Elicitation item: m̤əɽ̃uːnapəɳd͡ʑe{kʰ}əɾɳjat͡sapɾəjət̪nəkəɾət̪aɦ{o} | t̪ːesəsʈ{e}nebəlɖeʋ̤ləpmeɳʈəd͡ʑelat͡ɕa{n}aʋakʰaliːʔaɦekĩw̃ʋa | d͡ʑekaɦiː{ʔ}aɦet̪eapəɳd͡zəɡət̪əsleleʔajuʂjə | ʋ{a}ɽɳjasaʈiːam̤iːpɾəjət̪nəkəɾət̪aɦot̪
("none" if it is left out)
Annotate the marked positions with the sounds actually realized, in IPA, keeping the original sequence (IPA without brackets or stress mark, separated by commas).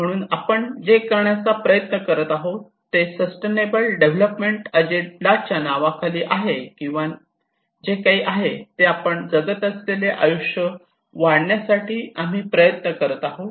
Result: k, o, e, n, ʔ, a